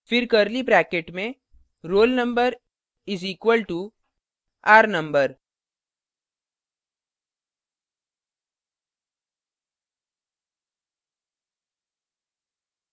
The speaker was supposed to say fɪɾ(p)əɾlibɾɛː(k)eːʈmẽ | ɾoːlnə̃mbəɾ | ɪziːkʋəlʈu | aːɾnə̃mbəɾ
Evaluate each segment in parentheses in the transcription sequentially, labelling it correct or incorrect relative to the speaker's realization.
incorrect: k, correct

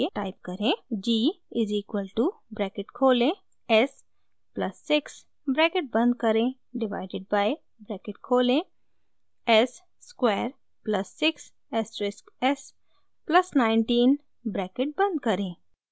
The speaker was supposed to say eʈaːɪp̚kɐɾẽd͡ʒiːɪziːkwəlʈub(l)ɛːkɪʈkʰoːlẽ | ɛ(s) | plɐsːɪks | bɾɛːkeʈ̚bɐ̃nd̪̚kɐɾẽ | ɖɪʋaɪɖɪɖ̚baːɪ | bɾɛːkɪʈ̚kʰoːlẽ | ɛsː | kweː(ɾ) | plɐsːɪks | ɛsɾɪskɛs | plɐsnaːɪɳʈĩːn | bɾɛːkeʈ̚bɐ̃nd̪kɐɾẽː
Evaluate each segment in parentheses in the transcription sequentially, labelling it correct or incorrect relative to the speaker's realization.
incorrect: ɾ, correct, correct

